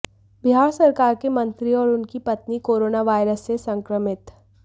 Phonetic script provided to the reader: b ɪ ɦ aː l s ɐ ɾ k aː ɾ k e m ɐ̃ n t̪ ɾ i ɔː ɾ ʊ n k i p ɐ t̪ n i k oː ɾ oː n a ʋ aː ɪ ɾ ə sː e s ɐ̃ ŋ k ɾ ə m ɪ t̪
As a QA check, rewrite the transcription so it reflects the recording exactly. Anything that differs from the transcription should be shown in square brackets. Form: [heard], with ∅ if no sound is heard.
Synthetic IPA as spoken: b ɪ ɦ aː [ɾ] s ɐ ɾ k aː ɾ k e m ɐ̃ n t̪ ɾ i ɔː ɾ ʊ n k i p ɐ t̪ n i k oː ɾ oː n a ʋ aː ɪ ɾ ə sː e s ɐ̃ ŋ k ɾ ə m ɪ t̪